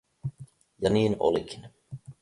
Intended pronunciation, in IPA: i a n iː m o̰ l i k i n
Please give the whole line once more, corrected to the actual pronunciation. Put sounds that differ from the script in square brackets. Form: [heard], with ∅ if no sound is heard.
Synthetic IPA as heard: [j] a n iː [n] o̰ l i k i n